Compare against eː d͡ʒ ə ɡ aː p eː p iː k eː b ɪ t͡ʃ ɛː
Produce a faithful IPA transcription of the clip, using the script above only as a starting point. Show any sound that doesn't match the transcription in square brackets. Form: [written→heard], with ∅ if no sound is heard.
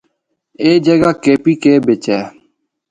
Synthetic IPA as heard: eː d͡ʒ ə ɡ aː [p→k] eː p iː k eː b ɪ t͡ʃ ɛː